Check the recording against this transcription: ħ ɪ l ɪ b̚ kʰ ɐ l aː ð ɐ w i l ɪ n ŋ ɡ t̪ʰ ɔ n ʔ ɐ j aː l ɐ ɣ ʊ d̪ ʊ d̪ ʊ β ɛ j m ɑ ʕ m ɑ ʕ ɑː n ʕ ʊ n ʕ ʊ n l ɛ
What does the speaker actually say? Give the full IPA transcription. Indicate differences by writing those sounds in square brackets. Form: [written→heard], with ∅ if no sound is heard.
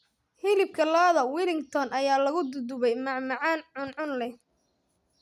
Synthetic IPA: [ħ→h] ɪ l ɪ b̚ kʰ ɐ l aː ð ɐ w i l ɪ [n→∅] ŋ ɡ t̪ʰ ɔ n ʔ ɐ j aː l ɐ ɣ ʊ d̪ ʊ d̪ ʊ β ɛ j m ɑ ʕ m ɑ ʕ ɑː n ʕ ʊ n ʕ ʊ n l ɛ